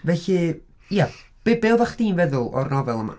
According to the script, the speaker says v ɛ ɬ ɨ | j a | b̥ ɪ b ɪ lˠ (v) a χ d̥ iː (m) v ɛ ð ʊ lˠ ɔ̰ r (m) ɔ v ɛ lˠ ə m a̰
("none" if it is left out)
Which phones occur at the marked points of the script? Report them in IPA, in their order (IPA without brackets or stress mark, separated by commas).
v, n, n